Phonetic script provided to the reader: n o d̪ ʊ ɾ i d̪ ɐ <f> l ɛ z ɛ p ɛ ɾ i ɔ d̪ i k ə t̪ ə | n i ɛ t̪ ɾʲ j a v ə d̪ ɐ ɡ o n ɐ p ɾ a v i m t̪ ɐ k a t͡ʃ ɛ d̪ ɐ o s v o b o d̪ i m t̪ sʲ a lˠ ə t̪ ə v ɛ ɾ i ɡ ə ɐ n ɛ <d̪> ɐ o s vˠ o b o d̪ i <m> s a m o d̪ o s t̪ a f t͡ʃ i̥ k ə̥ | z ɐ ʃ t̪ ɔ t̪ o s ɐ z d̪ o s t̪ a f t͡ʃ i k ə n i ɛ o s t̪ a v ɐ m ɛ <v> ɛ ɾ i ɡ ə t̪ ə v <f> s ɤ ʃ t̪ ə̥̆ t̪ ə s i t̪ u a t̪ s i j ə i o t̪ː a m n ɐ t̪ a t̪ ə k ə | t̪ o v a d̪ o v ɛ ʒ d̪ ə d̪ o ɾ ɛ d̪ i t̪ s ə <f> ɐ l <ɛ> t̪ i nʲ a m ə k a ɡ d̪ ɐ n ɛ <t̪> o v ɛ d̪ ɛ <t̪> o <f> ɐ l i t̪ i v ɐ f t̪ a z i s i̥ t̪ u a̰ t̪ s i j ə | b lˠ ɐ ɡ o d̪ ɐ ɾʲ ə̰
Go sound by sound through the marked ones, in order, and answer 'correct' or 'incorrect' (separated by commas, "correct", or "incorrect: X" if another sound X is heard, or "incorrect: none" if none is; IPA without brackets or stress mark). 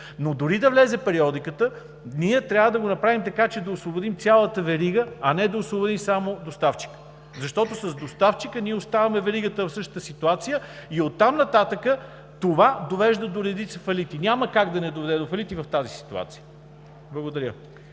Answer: incorrect: v, correct, correct, correct, correct, correct, incorrect: i, incorrect: d̪, incorrect: d̪, correct